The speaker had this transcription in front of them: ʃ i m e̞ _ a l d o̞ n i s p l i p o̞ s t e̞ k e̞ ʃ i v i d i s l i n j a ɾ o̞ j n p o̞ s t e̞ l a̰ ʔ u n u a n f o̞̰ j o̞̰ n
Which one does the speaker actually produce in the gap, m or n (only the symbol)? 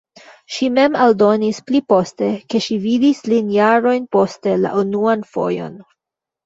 m